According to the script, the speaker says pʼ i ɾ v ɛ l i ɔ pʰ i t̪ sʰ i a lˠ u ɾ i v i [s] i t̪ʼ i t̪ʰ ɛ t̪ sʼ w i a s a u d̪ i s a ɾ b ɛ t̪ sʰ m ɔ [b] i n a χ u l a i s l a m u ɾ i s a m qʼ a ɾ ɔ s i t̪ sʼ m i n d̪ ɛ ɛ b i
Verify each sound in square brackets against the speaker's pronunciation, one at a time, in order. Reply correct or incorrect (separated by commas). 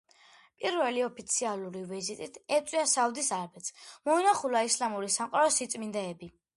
incorrect, incorrect